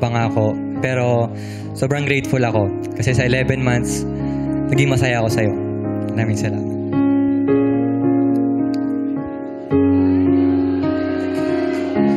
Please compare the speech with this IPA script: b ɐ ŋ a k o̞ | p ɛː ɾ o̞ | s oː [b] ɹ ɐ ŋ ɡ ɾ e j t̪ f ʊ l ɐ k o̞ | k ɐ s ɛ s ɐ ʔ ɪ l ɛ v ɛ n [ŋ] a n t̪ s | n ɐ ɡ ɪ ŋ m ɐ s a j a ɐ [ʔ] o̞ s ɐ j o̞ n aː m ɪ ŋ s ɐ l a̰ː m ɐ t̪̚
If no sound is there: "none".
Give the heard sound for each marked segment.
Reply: b, m, k

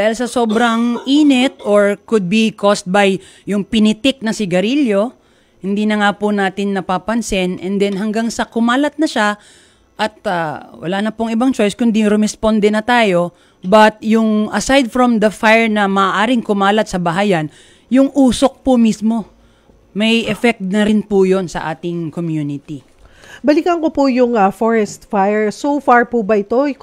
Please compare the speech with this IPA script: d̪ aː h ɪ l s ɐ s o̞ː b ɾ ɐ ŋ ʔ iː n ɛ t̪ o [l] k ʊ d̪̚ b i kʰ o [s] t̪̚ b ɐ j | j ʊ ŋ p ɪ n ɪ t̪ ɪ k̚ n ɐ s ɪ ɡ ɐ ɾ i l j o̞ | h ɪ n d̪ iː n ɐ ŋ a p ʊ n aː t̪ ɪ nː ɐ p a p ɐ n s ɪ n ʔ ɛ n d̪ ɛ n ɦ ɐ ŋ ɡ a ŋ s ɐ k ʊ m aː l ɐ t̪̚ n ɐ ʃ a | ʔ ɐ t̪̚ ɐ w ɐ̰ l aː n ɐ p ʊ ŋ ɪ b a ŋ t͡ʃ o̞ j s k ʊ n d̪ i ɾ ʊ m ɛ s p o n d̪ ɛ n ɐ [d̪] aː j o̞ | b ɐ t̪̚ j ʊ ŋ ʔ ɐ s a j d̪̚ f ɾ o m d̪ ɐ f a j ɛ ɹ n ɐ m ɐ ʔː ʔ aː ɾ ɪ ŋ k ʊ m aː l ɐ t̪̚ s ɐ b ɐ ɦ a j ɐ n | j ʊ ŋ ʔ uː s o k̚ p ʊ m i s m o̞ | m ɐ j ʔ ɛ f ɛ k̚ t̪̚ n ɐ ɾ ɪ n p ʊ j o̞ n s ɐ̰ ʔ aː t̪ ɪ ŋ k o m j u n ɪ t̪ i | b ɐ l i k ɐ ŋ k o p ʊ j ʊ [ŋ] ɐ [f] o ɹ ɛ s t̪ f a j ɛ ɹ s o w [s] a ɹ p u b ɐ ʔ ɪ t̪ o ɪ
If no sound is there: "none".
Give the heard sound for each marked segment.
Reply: ɹ, s, t̪, ŋ, f, f

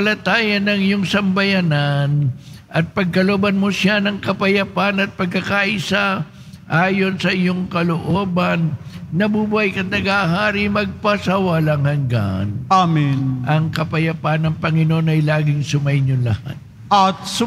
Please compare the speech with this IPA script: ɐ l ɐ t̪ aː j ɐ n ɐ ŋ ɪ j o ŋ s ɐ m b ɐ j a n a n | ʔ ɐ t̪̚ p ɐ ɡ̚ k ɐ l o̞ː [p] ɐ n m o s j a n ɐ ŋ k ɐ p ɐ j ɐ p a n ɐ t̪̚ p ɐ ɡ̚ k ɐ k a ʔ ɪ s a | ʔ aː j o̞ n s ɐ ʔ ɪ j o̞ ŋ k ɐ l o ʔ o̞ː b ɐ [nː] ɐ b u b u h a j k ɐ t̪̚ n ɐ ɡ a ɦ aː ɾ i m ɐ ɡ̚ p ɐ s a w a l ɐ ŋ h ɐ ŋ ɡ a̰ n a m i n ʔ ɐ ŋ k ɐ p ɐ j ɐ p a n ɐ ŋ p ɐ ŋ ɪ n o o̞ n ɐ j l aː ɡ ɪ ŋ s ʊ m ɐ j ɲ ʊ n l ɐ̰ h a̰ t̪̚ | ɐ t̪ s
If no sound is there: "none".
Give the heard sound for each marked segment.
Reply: b, nː

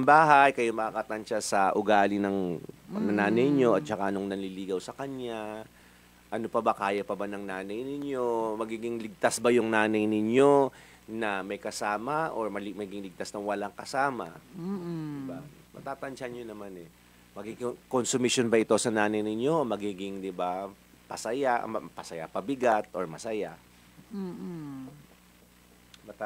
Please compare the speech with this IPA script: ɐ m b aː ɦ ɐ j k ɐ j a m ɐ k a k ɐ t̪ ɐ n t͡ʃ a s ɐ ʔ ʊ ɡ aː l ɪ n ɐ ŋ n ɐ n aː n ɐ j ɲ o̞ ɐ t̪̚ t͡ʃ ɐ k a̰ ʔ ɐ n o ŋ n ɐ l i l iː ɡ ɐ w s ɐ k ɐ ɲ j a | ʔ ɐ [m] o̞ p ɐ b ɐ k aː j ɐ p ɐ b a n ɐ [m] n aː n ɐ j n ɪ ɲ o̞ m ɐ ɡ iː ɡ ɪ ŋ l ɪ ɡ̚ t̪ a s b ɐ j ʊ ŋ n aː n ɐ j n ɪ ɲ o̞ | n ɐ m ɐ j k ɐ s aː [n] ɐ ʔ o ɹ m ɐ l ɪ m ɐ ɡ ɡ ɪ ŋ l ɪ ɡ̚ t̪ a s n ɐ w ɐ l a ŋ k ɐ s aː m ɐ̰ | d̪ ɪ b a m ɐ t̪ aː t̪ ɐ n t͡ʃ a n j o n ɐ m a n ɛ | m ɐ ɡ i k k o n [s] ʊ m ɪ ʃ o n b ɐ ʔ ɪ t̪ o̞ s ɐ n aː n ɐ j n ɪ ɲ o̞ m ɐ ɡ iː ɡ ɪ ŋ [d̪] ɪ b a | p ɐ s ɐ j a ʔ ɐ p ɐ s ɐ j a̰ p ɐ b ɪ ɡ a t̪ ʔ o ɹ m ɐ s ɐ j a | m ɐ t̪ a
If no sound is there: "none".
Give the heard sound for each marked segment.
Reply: n, ŋ, m, s, d̪

